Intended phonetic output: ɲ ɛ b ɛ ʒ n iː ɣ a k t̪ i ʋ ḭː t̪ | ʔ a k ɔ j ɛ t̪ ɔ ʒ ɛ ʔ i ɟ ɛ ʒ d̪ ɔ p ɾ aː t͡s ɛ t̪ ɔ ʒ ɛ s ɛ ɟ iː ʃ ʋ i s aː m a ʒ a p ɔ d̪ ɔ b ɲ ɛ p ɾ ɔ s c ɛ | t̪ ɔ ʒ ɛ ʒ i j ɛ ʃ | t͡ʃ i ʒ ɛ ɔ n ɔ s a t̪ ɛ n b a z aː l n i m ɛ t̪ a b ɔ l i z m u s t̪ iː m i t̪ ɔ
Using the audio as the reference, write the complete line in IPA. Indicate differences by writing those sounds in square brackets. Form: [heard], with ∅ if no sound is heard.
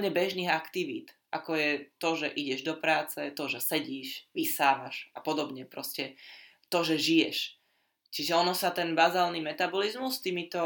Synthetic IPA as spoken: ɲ ɛ b ɛ ʒ n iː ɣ a k t̪ i ʋ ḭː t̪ | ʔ a k ɔ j ɛ t̪ ɔ ʒ ɛ ʔ i ɟ ɛ ʒ d̪ ɔ p ɾ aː t͡s ɛ t̪ ɔ ʒ ɛ s ɛ ɟ iː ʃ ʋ i s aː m a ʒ a p ɔ d̪ ɔ b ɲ ɛ p ɾ ɔ s c ɛ | t̪ ɔ ʒ ɛ ʒ i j ɛ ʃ | t͡ʃ i ʒ ɛ ɔ n ɔ s a t̪ ɛ n b a z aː l n i m ɛ t̪ a b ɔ l i z m u s t̪ iː m i t̪ ɔ